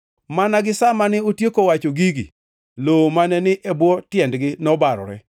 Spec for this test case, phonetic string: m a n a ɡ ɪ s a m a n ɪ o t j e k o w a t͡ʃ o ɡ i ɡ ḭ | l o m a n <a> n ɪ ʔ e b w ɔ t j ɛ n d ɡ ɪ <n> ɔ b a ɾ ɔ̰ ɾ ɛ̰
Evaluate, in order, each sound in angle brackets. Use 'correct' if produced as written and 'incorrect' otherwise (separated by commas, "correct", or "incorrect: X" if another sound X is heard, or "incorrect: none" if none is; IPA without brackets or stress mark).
incorrect: ɛ, correct